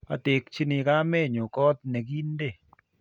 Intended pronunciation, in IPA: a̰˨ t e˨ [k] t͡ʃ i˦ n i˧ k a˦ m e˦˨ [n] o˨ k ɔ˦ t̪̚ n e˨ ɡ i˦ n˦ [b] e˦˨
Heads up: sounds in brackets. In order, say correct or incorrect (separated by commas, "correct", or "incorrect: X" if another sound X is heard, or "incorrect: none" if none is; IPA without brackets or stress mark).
correct, incorrect: ɲ, incorrect: d